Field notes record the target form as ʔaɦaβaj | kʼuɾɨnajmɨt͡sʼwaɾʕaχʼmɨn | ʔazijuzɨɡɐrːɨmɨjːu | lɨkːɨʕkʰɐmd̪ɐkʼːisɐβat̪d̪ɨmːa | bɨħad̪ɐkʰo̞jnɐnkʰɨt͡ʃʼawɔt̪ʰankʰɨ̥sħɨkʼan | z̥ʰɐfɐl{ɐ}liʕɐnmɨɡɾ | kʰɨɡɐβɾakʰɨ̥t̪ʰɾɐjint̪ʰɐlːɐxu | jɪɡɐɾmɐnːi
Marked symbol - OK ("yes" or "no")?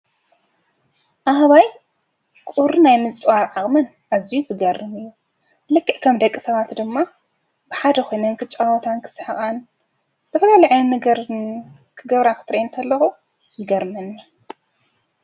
no